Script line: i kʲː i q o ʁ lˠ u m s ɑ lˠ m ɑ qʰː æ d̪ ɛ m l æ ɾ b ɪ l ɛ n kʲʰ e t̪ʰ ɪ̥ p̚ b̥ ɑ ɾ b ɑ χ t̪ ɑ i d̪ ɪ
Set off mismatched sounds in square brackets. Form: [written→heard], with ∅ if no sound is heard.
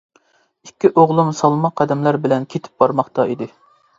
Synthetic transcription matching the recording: i kʲː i [q→ʔ] o ʁ lˠ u m s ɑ lˠ m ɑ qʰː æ d̪ ɛ m l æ ɾ b ɪ l ɛ n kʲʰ e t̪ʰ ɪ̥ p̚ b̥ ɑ ɾ [b→m] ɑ χ t̪ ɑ i d̪ ɪ

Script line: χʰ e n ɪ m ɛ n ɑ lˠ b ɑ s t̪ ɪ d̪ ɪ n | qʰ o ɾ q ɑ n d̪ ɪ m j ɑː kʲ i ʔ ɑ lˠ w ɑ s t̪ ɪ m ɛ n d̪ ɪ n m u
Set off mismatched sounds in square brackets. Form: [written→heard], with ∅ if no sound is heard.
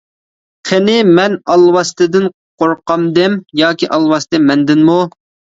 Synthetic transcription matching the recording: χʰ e n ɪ m ɛ n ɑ lˠ [b→w] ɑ s t̪ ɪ d̪ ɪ n | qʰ o ɾ q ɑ [n→m] d̪ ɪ m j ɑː kʲ i ʔ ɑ lˠ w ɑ s t̪ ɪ m ɛ n d̪ ɪ n m u

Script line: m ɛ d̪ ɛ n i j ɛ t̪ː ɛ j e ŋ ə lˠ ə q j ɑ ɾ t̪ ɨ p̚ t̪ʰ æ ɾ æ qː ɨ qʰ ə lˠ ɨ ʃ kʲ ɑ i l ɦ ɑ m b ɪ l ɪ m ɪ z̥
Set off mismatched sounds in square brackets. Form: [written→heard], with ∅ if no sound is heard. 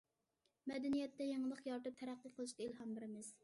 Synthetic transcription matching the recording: m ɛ d̪ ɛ n i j ɛ t̪ː ɛ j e ŋ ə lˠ ə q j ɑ ɾ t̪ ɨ p̚ t̪ʰ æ ɾ æ qː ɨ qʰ ə lˠ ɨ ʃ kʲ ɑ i l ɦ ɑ m b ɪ [l→ɾ] ɪ m ɪ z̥

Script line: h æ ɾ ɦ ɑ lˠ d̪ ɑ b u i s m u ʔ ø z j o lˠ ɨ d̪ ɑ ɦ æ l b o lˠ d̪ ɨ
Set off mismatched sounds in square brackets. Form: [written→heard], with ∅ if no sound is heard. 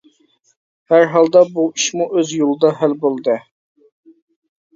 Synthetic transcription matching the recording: h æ ɾ ɦ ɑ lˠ d̪ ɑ b u i [s→ʃ] m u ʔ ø z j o lˠ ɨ d̪ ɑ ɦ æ l b o lˠ d̪ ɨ

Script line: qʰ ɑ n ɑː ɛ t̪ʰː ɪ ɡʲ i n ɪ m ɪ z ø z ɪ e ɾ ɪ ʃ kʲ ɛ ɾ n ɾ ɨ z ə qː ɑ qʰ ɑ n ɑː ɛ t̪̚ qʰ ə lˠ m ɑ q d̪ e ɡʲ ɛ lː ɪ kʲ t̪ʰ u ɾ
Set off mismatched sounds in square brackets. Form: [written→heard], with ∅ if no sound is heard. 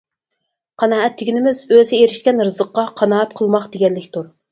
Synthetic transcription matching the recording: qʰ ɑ n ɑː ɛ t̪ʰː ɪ ɡʲ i n ɪ m ɪ z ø z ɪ e ɾ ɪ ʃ kʲ ɛ [ɾ→∅] n ɾ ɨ z ə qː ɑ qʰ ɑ n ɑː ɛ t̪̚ qʰ ə lˠ m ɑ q d̪ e ɡʲ ɛ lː ɪ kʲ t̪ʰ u ɾ

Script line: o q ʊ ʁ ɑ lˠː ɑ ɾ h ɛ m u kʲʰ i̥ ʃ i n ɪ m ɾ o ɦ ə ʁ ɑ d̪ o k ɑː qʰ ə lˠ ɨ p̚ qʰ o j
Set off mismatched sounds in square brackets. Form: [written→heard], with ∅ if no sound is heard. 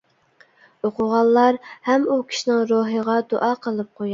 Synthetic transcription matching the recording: o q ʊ ʁ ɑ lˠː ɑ ɾ h ɛ m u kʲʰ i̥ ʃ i n ɪ [m→ŋ] ɾ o ɦ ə ʁ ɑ d̪ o [k→ʔ] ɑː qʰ ə lˠ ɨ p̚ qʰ o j

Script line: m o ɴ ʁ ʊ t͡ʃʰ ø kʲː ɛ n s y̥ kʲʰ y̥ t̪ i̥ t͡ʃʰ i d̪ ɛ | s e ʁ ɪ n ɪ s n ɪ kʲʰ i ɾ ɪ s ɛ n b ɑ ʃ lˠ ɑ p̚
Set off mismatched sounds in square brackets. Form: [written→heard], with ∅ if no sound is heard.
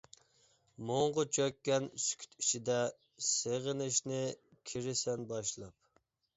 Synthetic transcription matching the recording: m o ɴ ʁ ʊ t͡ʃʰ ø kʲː ɛ n s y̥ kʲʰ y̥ t̪ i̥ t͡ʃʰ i d̪ ɛ | s e ʁ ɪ n ɪ [s→ʃ] n ɪ kʲʰ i ɾ ɪ s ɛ n b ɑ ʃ lˠ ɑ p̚

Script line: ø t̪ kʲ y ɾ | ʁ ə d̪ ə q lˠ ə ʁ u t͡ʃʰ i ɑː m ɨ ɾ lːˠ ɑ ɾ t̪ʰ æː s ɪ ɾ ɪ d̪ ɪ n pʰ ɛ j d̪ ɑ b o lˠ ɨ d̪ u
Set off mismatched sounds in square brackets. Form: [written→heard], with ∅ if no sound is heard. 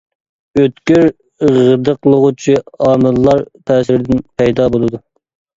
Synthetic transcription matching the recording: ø t̪ kʲ y ɾ | ʁ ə d̪ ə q lˠ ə ʁ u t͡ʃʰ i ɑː m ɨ [ɾ→l] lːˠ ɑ ɾ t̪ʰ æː s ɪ ɾ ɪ d̪ ɪ n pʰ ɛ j d̪ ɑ b o lˠ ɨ d̪ u

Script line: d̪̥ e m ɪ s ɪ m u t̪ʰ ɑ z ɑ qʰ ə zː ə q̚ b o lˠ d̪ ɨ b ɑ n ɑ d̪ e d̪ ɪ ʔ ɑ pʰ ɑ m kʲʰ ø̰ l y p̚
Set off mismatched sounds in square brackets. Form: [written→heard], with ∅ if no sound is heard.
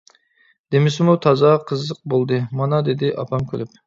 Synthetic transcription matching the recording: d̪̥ e m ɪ s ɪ m u t̪ʰ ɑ z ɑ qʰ ə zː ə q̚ b o lˠ d̪ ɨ [b→m] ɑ n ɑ d̪ e d̪ ɪ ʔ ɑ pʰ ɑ m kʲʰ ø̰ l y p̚

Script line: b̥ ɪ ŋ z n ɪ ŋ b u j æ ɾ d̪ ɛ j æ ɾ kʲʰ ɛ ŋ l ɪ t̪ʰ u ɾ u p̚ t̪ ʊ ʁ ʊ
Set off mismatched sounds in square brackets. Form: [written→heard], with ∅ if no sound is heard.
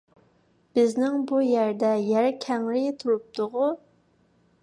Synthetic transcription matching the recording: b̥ ɪ [ŋ→∅] z n ɪ ŋ b u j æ ɾ d̪ ɛ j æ ɾ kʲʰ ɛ ŋ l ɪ t̪ʰ u ɾ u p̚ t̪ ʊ ʁ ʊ

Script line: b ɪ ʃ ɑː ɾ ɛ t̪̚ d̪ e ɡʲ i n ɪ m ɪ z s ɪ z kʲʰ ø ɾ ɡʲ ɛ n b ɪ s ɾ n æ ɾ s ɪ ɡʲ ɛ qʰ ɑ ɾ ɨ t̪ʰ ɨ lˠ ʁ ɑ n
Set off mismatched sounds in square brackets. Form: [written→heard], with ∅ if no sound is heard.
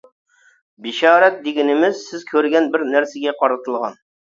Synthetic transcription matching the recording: b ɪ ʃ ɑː ɾ ɛ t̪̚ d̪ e ɡʲ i n ɪ m ɪ z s ɪ z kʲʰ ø ɾ ɡʲ ɛ n b ɪ [s→∅] ɾ n æ ɾ s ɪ ɡʲ ɛ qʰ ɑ ɾ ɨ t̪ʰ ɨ lˠ ʁ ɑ n

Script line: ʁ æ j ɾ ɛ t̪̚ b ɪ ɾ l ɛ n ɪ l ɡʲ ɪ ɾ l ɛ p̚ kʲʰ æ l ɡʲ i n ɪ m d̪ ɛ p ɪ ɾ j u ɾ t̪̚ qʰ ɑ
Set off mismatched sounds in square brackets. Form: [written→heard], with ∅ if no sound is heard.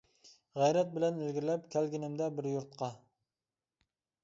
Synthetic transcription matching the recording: ʁ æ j ɾ ɛ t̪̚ b ɪ [ɾ→∅] l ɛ n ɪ l ɡʲ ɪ ɾ l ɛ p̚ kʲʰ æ l ɡʲ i n ɪ m d̪ ɛ [p→b] ɪ ɾ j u ɾ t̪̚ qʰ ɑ

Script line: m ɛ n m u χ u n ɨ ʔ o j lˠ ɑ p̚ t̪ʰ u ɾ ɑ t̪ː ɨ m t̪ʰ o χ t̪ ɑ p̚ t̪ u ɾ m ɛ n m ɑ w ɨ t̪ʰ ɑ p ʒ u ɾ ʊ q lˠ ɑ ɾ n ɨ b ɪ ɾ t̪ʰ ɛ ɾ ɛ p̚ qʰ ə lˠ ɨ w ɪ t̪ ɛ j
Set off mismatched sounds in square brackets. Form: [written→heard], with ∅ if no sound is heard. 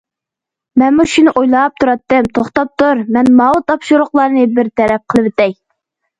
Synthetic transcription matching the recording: m ɛ n m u [χ→ʃ] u n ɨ ʔ o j lˠ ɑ p̚ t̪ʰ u ɾ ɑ t̪ː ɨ m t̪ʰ o χ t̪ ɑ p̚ t̪ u ɾ m ɛ n m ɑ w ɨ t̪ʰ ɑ p [ʒ→ʃ] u ɾ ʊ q lˠ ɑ ɾ n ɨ b ɪ ɾ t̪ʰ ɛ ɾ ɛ p̚ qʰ ə lˠ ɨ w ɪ t̪ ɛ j

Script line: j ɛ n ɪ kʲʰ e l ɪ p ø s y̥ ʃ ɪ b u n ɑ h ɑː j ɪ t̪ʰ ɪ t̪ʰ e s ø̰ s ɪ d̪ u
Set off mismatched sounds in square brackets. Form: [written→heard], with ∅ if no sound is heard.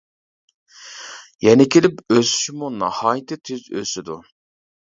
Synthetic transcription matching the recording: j ɛ n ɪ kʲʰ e l ɪ p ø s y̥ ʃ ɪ [b→m] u n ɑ h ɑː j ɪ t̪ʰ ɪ t̪ʰ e [s→z] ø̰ s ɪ d̪ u

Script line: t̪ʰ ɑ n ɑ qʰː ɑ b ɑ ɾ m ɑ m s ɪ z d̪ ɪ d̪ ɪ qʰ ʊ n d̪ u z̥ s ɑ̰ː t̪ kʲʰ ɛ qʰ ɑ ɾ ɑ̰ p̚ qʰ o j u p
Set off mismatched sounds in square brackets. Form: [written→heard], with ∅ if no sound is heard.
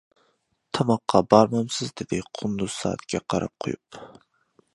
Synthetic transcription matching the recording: t̪ʰ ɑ [n→m] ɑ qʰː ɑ b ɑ ɾ m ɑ m s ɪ z d̪ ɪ d̪ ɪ qʰ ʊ n d̪ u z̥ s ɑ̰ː t̪ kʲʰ ɛ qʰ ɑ ɾ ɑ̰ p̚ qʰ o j u p

